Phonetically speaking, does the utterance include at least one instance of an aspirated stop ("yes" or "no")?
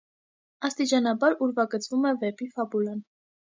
no